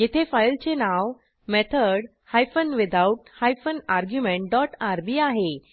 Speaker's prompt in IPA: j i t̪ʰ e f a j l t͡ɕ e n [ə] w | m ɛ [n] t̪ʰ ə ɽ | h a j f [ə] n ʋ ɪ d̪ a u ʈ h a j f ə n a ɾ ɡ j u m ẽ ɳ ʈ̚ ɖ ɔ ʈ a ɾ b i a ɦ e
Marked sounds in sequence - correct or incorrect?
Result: incorrect: a, incorrect: none, correct

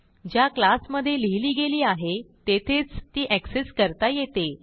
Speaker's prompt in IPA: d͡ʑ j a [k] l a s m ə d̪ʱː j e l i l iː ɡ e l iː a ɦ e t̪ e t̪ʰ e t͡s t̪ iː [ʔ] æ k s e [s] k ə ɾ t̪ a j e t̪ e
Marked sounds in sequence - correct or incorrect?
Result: correct, correct, correct

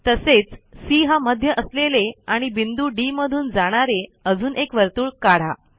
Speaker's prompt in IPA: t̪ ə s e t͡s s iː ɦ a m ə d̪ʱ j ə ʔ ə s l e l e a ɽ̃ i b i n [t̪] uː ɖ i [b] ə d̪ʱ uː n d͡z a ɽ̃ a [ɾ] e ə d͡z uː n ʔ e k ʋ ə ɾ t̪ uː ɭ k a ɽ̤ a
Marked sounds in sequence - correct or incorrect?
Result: incorrect: d̪, incorrect: m, correct

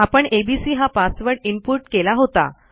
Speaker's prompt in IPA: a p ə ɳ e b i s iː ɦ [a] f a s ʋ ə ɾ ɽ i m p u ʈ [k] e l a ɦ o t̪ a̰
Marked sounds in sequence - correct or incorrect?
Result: correct, correct

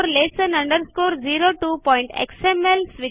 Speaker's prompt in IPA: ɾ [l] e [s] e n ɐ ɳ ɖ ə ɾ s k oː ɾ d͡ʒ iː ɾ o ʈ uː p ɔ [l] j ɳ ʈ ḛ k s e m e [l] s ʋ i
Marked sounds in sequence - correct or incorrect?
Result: correct, correct, incorrect: none, correct

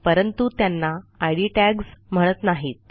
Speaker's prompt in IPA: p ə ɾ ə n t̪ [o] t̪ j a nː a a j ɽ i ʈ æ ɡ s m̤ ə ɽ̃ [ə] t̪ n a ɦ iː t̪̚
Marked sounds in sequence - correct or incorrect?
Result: incorrect: u, correct

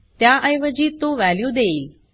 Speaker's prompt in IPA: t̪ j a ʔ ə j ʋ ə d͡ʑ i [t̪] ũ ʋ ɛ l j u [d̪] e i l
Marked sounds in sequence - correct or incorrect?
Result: correct, correct

